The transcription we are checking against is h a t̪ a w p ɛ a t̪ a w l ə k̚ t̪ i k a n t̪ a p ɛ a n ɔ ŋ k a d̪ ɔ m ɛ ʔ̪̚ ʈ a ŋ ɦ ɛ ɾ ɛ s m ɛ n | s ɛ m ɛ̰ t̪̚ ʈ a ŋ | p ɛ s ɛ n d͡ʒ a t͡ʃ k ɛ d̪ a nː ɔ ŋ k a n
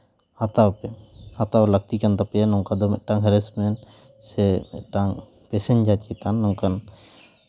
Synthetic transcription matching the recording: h a t̪ a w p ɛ a t̪ a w l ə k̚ t̪ i k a n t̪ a p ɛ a n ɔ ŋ k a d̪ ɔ m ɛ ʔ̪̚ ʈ a ŋ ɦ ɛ ɾ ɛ s m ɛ n | s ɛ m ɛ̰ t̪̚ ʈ a ŋ | p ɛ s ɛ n d͡ʒ a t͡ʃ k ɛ t̪ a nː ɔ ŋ k a n